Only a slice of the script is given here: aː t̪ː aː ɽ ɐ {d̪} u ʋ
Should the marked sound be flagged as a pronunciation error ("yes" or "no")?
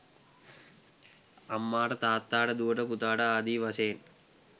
no